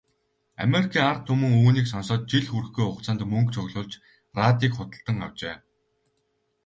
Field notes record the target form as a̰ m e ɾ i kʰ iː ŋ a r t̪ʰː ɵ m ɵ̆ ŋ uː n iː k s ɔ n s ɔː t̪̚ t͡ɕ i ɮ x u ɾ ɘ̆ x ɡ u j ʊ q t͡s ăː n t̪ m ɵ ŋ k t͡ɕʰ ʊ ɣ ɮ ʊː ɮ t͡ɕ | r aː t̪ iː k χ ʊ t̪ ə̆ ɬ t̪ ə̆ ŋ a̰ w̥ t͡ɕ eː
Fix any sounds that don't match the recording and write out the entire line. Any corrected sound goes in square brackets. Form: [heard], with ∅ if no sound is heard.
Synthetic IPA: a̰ m e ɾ i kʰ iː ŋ a r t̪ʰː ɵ m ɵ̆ ŋ uː n iː k s ɔ n s ɔː t̪̚ t͡ɕ i ɮ x u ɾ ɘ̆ x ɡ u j ʊ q t͡s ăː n t̪ m ɵ ŋ k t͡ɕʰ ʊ ɣ ɮ ʊː ɮ t͡ɕ | r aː t̪ iː k χ ʊ t̪ ə̆ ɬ t̪ ə̆ ŋ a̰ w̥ t͡ɕ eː